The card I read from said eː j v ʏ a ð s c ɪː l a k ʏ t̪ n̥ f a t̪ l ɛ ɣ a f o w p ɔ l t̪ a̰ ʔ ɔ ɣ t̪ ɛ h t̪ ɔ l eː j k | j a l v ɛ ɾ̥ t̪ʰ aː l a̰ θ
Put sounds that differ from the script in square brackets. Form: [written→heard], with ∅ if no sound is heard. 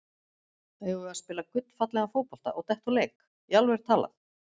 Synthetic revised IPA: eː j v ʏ a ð s [c→p] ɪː l a k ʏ t̪ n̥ f a t̪ l ɛ ɣ a f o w p ɔ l t̪ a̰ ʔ ɔ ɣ t̪ ɛ h t̪ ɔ l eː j k | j a l v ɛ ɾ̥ t̪ʰ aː l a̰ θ